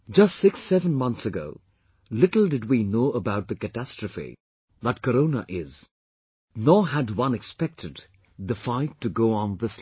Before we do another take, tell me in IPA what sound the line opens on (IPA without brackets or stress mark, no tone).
d͡ʒ